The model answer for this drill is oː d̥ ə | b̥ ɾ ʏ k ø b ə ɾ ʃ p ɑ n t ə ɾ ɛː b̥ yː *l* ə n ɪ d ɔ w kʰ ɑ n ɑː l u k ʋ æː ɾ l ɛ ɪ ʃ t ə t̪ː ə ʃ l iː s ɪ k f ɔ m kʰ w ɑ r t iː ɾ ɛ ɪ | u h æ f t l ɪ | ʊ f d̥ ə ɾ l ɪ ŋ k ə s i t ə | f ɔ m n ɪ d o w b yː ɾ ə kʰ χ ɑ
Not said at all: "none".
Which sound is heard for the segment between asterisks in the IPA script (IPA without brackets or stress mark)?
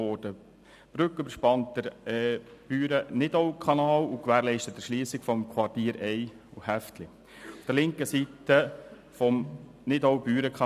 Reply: ɾ